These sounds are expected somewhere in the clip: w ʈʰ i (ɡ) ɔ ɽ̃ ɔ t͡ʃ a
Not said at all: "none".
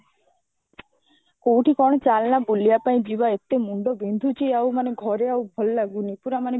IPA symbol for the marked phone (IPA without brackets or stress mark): k